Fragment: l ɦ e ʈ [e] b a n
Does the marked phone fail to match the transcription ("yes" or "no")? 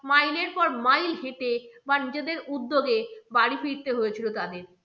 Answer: no